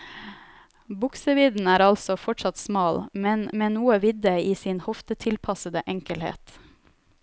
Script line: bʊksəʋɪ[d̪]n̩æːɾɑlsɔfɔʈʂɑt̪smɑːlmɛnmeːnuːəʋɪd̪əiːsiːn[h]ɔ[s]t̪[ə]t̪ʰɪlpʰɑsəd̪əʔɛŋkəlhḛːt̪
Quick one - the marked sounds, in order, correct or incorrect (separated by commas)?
correct, correct, incorrect, correct